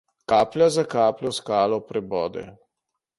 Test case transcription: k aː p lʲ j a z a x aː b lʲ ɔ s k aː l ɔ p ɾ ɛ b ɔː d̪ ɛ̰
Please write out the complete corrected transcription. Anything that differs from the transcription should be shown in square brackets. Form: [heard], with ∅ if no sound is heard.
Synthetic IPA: k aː p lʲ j a z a [k] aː [p] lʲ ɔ s k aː l ɔ p ɾ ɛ b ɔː d̪ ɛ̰